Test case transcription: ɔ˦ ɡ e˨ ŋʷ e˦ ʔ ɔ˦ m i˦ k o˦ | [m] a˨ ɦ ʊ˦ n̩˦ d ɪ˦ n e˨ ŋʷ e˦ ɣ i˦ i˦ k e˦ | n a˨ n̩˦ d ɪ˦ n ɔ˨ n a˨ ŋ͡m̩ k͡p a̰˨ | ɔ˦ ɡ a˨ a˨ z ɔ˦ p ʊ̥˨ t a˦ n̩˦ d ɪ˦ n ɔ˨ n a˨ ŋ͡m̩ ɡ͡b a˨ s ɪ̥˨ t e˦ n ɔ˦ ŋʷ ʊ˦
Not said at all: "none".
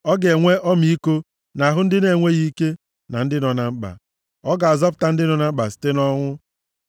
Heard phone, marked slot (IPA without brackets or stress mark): n